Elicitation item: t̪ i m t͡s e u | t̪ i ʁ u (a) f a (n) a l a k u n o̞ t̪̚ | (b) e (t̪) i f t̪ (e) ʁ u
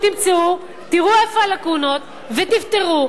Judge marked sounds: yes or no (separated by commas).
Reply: no, no, no, yes, yes